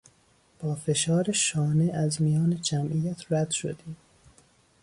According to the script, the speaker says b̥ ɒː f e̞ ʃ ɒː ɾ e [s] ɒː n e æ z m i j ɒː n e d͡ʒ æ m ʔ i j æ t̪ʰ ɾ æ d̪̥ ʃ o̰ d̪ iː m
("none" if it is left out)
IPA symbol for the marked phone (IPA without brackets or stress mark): ʃ